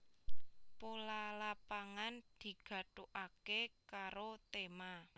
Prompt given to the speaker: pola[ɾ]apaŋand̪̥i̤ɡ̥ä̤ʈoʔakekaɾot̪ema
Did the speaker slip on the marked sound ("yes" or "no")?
yes